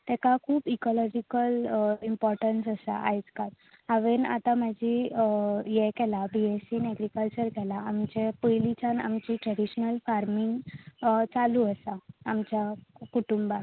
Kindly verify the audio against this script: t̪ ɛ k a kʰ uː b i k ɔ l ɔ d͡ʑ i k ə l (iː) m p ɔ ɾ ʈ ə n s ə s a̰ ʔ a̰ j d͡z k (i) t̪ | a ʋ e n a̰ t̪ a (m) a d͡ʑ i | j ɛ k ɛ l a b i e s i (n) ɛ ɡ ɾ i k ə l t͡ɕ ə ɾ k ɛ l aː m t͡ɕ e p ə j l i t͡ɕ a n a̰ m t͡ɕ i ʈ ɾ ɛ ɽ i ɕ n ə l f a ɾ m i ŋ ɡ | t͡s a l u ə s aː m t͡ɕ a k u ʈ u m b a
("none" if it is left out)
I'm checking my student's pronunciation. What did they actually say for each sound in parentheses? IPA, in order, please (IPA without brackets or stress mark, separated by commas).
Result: i, a, m, n